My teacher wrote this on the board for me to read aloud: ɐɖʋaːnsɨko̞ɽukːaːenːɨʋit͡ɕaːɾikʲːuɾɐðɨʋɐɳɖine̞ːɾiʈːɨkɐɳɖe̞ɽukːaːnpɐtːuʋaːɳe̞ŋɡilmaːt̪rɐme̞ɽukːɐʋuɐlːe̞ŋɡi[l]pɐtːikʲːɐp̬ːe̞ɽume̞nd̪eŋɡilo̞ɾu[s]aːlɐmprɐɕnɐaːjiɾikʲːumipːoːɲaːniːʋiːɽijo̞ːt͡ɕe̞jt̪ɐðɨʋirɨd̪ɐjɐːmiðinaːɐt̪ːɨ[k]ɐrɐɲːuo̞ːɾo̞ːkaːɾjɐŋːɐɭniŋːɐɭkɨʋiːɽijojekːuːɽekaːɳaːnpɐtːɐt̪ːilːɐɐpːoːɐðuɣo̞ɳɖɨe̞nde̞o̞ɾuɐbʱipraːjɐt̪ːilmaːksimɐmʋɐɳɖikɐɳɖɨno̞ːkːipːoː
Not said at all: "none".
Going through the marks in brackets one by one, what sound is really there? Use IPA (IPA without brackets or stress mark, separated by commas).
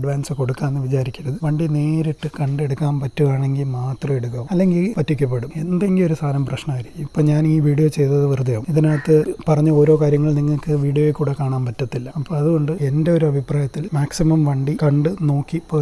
l, s, p